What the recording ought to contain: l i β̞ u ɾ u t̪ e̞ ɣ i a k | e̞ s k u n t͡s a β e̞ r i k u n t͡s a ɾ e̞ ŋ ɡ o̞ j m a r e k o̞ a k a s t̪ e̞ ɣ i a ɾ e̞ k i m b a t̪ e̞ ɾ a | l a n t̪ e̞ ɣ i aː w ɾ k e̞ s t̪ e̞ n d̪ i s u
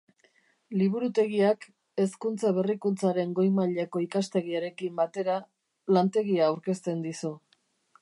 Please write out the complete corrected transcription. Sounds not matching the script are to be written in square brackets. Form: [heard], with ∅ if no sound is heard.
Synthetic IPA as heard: l i β̞ u ɾ u t̪ e̞ ɣ i a k | e̞ s k u n t͡s a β e̞ r i k u n t͡s a ɾ e̞ ŋ ɡ o̞ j m a [ʎ] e k o̞ [i] k a s t̪ e̞ ɣ i a ɾ e̞ k i m b a t̪ e̞ ɾ a | l a n t̪ e̞ ɣ i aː w ɾ k e̞ s t̪ e̞ n d̪ i s u

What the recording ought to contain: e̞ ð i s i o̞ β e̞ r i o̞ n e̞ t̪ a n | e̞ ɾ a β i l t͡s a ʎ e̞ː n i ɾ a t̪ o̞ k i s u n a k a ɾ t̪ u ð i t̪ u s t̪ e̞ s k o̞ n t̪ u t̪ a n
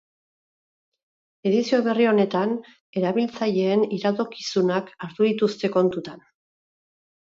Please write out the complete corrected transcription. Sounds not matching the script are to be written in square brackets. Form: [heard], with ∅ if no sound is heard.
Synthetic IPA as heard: e̞ ð i s i o̞ β e̞ r i o̞ n e̞ t̪ a n | e̞ ɾ a β i l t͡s a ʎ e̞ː n i ɾ a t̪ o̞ k i s u n a k a ɾ t̪ u ð i t̪ u s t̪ e̞ [∅] k o̞ n t̪ u t̪ a n

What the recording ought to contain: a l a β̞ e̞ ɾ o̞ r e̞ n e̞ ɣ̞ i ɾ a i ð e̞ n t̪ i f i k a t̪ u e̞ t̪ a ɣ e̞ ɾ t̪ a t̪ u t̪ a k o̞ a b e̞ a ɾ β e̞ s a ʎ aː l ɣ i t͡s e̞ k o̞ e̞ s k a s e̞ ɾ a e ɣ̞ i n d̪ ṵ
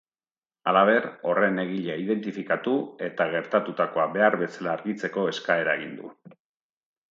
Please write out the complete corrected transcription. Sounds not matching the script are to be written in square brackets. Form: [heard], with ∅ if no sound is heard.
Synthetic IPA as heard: a l a β̞ e̞ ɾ o̞ r e̞ n e̞ ɣ̞ i [ʎ] a i ð e̞ n t̪ i f i k a t̪ u e̞ t̪ a ɣ e̞ ɾ t̪ a t̪ u t̪ a k o̞ a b e̞ a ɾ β e̞ s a [l] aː [ɾ] ɣ i t͡s e̞ k o̞ e̞ s k a [∅] e̞ ɾ a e ɣ̞ i n d̪ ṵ

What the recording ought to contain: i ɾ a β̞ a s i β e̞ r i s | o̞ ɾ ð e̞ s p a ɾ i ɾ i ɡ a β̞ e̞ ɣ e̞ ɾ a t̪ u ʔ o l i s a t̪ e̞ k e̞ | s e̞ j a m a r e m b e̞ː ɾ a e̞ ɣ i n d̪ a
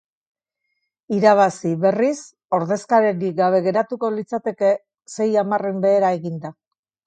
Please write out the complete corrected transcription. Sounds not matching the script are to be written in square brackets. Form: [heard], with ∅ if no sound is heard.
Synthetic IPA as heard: i ɾ a β̞ a s i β e̞ r i s | o̞ ɾ ð e̞ s [k] a ɾ [e] ɾ i ɡ a β̞ e̞ ɣ e̞ ɾ a t̪ u [k] o l i [t͡s] a t̪ e̞ k e̞ | s e̞ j a m a r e m b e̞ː ɾ a e̞ ɣ i n d̪ a

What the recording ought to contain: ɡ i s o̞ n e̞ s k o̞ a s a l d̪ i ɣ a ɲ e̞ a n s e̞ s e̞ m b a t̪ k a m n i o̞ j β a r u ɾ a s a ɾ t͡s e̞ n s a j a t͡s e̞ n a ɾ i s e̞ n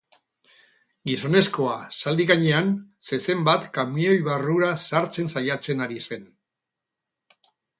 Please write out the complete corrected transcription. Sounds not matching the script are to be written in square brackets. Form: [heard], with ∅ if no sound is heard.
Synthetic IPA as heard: ɡ i s o̞ n e̞ s k o̞ a s a l d̪ i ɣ a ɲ e̞ a n s e̞ s e̞ m b a t̪ k a m n i o̞ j β a r u ɾ a s a ɾ t͡s e̞ n s a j a t͡s e̞ n a ɾ i s e̞ n

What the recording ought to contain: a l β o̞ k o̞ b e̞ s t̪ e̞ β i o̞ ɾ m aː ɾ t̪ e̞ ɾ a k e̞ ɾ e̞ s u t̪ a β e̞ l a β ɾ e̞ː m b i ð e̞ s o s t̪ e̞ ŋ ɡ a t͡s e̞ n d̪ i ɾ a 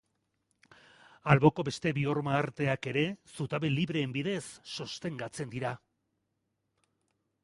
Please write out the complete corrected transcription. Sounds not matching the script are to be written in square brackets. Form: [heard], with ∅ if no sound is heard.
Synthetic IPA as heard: a l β o̞ k o̞ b e̞ s t̪ e̞ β i o̞ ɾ m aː ɾ t̪ e̞ [∅] a k e̞ ɾ e̞ s u t̪ a β e̞ l [i] β ɾ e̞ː m b i ð e̞ [sː] o s t̪ e̞ ŋ ɡ a t͡s e̞ n d̪ i ɾ a

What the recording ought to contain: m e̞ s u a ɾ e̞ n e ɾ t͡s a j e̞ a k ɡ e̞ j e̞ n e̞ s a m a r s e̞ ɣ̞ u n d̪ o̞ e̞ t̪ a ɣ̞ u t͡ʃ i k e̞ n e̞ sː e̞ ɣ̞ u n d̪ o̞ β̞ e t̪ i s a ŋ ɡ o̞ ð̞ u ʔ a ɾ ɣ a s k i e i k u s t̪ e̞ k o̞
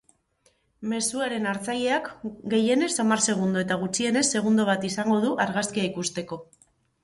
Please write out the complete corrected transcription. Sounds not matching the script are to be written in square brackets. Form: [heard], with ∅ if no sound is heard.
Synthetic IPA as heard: m e̞ s u a ɾ e̞ n [a] ɾ t͡s a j e̞ a k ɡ e̞ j e̞ n e̞ s a m a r s e̞ ɣ̞ u n d̪ o̞ e̞ t̪ a ɣ̞ u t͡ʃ i [∅] e̞ n e̞ sː e̞ ɣ̞ u n d̪ o̞ β̞ [a] t̪ i s a ŋ ɡ o̞ ð̞ u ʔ a ɾ ɣ a s k i [a] i k u s t̪ e̞ k o̞

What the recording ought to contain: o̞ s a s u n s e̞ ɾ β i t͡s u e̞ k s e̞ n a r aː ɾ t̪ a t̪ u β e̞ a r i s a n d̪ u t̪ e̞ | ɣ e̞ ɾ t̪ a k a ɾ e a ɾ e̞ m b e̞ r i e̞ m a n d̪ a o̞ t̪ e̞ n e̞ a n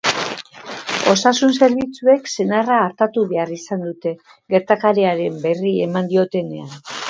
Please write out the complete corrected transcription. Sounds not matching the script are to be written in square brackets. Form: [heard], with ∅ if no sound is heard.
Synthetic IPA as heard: o̞ s a s u n s e̞ ɾ β i t͡s u e̞ k s e̞ n a r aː ɾ t̪ a t̪ u β e̞ a r i s a n d̪ u t̪ e̞ | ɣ e̞ ɾ t̪ a k a ɾ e a ɾ e̞ m b e̞ r i e̞ m a n d̪ [i] o̞ t̪ e̞ n e̞ a n

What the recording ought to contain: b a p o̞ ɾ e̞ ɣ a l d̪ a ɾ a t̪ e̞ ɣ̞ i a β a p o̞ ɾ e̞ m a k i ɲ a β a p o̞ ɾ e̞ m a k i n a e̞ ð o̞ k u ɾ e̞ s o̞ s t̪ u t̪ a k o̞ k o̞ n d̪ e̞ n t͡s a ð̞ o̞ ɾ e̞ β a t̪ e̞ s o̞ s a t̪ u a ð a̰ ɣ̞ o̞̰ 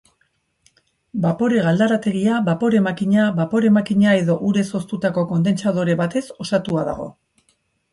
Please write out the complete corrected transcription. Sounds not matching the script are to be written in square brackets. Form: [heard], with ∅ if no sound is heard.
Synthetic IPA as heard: b a p o̞ ɾ e̞ ɣ a l d̪ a ɾ a t̪ e̞ ɣ̞ i a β a p o̞ ɾ e̞ m a k i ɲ a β a p o̞ ɾ e̞ m a k i [ɲ] a e̞ ð o̞ [ʔ] u ɾ e̞ s o̞ s t̪ u t̪ a k o̞ k o̞ n d̪ e̞ n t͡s a ð̞ o̞ ɾ e̞ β a t̪ e̞ s o̞ s a t̪ u a ð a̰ ɣ̞ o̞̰

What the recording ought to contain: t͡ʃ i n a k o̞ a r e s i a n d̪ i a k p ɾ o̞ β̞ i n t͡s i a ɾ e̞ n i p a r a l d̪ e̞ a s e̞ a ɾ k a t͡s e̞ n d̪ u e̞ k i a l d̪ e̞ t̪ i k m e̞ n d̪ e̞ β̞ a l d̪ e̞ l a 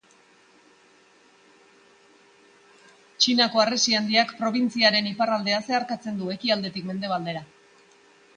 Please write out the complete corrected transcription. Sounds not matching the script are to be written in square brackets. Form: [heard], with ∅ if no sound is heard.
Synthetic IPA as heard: t͡ʃ i n a k o̞ a r e s i a n d̪ i a k p ɾ o̞ β̞ i n t͡s i a ɾ e̞ n i p a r a l d̪ e̞ a s e̞ a ɾ k a t͡s e̞ n d̪ u e̞ k i a l d̪ e̞ t̪ i k m e̞ n d̪ e̞ β̞ a l d̪ e̞ [ɾ] a

